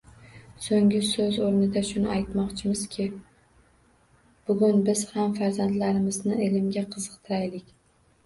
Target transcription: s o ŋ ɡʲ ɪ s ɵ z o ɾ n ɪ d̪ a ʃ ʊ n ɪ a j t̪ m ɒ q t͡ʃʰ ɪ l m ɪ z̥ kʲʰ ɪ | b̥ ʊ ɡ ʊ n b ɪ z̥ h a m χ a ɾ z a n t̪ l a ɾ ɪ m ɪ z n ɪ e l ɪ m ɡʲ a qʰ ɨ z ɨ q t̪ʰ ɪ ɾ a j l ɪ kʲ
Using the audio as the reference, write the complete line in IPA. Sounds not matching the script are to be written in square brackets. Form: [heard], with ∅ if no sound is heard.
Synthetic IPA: s o ŋ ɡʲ ɪ s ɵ z o ɾ n ɪ d̪ a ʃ ʊ n ɪ a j t̪ m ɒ q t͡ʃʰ ɪ [∅] m ɪ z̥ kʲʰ ɪ | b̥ ʊ ɡ ʊ n b ɪ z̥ h a m [f] a ɾ z a n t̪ l a ɾ ɪ m ɪ z n ɪ e l ɪ m ɡʲ a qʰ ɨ z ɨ q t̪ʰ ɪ ɾ a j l ɪ kʲ